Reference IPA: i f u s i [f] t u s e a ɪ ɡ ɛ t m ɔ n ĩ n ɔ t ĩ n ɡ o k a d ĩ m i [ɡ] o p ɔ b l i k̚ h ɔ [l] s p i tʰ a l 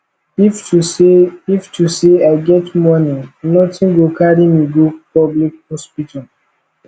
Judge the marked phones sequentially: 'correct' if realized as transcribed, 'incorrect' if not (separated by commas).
correct, correct, incorrect